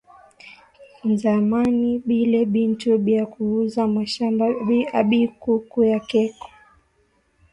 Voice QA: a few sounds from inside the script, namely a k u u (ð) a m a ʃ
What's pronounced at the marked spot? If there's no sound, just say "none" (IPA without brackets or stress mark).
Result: z